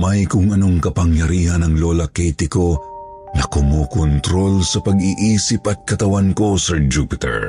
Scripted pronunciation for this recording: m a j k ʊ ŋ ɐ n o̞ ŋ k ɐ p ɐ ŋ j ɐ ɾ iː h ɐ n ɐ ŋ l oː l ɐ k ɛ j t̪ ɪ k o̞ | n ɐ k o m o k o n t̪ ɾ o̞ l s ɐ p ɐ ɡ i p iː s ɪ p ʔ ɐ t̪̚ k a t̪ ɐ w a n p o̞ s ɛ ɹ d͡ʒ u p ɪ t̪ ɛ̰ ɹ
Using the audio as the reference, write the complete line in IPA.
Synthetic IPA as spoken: m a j k ʊ ŋ ɐ n o̞ ŋ k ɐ p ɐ ŋ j ɐ ɾ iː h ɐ n ɐ ŋ l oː l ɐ k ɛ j t̪ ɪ k o̞ | n ɐ k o m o k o n t̪ ɾ o̞ l s ɐ p ɐ ɡ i ʔ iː s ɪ p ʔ ɐ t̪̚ k ɐ t̪ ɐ w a n k o̞ s ɛ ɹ d͡ʒ u p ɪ t̪ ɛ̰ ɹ